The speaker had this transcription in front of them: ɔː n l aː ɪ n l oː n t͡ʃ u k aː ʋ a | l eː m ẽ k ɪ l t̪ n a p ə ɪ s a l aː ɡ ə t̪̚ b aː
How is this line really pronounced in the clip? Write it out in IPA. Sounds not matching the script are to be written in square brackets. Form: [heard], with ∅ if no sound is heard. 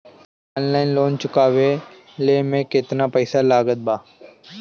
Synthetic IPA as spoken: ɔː n l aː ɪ n l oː n t͡ʃ [ʊ] k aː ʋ [e] | l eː m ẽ k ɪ [∅] t̪ n a p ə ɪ s a l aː ɡ ə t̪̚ b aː